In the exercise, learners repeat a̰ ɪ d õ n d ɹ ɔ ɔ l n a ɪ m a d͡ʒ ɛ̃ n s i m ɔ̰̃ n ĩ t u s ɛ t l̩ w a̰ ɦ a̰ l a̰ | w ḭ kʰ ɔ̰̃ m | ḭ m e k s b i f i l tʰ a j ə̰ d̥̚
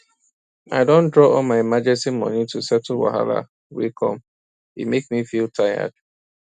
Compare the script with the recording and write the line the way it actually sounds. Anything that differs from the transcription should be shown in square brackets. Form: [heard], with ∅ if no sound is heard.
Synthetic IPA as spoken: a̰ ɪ d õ n d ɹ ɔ ɔ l [m] a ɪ m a d͡ʒ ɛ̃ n s i m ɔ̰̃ n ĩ t u s ɛ t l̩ w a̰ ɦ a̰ l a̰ | w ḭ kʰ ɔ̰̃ m | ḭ m e k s [m] i f i l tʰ a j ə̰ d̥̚